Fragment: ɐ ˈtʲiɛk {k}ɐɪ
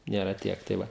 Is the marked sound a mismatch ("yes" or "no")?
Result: yes